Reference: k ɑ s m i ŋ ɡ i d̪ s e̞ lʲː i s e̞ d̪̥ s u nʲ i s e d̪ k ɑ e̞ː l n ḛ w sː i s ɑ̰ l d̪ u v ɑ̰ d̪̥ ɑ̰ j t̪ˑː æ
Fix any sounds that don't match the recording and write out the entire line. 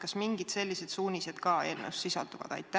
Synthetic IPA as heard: k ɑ s m i ŋ ɡ i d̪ s e̞ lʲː i s e̞ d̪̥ s uː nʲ i s e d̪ k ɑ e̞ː l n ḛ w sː i s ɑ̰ l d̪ u v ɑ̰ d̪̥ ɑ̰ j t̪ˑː æ